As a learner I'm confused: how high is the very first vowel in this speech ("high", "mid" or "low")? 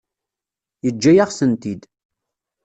mid